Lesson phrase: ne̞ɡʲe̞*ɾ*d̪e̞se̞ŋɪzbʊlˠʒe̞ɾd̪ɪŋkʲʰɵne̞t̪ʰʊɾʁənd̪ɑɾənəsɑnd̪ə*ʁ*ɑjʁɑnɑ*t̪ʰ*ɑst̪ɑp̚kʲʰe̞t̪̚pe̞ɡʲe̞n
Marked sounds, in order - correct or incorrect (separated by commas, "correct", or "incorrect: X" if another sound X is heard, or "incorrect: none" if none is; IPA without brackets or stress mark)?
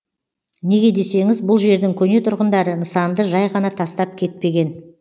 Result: incorrect: none, incorrect: ʒ, correct